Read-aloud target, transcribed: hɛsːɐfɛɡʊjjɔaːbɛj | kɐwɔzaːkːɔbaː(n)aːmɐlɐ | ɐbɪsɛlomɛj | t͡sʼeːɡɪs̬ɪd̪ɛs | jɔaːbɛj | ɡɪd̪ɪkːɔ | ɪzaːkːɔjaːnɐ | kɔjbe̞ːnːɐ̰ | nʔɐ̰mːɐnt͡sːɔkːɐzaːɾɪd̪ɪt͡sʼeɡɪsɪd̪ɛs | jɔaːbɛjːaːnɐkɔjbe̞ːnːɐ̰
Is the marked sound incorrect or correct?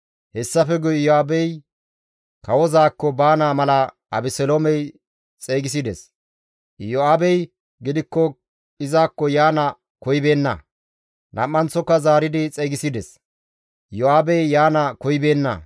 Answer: correct